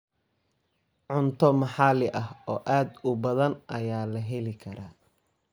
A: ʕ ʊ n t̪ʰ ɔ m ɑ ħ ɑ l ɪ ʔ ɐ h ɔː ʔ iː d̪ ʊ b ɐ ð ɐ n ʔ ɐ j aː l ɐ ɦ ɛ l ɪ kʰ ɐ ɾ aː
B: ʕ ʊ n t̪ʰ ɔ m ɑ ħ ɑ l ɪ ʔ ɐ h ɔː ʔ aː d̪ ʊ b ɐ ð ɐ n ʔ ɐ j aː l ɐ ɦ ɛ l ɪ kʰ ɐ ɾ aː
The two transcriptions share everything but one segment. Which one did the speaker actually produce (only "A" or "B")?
B